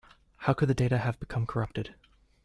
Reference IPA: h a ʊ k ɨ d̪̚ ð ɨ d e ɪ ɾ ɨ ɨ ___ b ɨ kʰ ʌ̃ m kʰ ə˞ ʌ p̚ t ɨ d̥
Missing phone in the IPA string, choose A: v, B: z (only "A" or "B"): A